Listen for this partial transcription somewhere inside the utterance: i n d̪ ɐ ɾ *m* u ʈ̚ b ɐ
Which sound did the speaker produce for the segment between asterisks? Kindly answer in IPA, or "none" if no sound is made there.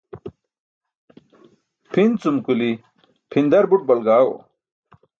b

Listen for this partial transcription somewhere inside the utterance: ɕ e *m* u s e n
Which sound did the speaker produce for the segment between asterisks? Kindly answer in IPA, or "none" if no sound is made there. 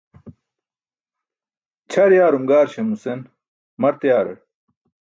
m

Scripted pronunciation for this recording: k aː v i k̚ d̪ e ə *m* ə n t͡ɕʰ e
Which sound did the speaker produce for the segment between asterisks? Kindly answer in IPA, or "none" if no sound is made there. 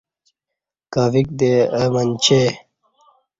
m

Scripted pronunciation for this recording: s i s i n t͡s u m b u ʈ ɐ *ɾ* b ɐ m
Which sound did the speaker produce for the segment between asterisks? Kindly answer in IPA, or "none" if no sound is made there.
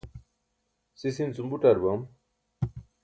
ɾ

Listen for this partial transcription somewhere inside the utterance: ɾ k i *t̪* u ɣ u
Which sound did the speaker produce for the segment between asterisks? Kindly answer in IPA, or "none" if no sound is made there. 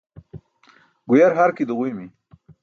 d̪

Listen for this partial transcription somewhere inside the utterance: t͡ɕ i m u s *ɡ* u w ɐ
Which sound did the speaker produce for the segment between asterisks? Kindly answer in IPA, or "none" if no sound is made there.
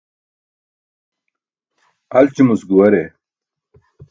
ɡ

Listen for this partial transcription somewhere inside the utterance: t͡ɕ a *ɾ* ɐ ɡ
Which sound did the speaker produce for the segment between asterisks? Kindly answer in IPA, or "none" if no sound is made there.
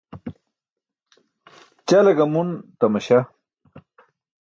l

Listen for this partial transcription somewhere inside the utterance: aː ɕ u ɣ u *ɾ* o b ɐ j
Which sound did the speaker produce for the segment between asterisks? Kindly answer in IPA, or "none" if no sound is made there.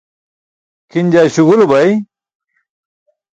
l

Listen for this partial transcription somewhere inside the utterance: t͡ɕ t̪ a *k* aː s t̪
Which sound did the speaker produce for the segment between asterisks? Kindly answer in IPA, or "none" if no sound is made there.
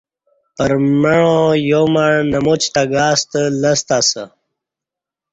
ɡ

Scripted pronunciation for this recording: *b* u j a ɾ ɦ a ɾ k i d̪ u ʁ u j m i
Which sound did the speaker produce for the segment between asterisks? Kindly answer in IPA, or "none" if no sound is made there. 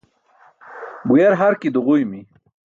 b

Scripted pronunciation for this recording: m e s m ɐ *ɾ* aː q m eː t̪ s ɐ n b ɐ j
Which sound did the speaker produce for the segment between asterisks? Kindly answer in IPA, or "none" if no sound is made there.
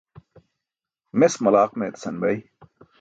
l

